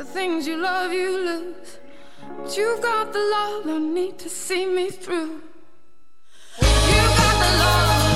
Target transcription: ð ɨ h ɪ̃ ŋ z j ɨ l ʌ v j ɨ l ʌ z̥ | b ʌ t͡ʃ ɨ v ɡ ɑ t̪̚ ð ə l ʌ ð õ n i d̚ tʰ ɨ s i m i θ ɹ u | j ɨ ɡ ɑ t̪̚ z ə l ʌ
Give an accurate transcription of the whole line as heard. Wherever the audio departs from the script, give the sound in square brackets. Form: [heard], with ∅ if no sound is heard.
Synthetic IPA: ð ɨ [θ] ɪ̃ ŋ z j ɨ l ʌ v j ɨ l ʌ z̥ | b ʌ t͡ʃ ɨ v ɡ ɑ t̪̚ ð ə l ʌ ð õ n i d̚ tʰ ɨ s i m i θ ɹ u | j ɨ ɡ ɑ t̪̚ [ð] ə l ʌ